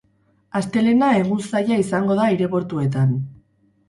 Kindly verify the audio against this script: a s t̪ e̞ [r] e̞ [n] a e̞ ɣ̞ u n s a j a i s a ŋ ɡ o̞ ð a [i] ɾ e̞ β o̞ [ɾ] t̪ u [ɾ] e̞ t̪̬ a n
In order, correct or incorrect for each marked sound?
incorrect: l, correct, correct, correct, incorrect: none

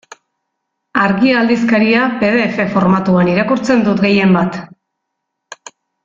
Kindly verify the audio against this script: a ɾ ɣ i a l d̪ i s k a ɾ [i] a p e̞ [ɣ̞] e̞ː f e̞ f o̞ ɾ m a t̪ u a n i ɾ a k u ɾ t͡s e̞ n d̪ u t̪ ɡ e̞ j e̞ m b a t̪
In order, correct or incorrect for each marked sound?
correct, incorrect: ð̞

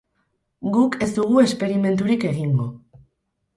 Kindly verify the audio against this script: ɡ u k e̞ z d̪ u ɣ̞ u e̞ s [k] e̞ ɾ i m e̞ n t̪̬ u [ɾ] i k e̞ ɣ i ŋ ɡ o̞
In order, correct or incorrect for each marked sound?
incorrect: p, correct

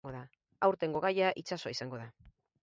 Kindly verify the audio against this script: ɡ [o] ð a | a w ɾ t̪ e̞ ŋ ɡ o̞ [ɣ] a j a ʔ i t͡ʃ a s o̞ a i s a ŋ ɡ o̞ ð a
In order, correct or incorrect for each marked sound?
correct, correct

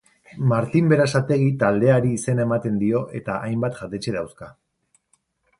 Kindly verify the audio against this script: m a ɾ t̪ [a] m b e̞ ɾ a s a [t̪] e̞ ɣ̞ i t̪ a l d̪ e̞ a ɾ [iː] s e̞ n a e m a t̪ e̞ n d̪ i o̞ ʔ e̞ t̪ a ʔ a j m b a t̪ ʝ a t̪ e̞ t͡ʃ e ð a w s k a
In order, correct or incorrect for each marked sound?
incorrect: i, correct, correct

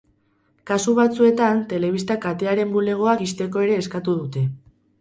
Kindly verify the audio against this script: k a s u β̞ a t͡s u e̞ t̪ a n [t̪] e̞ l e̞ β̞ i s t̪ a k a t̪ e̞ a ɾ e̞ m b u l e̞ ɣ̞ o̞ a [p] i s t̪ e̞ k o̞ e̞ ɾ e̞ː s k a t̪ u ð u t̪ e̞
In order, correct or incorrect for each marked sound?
correct, incorrect: k

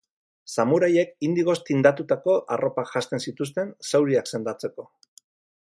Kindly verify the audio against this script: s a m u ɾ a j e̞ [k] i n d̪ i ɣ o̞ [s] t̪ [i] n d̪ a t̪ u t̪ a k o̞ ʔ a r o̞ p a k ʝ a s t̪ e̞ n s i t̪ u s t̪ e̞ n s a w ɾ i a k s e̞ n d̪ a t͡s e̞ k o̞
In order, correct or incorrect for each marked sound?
correct, correct, correct

